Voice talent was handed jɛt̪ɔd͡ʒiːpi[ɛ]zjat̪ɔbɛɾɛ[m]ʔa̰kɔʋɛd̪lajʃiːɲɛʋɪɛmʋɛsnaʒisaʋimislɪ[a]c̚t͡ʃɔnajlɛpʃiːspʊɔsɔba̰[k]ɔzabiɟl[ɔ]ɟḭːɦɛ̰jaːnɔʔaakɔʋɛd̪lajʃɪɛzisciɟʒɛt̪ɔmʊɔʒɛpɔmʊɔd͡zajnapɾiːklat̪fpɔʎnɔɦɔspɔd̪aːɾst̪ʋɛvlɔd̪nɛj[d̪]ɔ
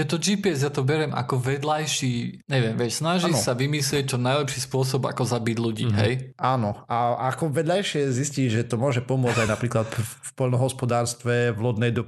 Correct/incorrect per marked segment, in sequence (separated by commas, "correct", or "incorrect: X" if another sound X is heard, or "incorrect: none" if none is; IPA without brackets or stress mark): correct, correct, incorrect: ɛ, correct, incorrect: u, correct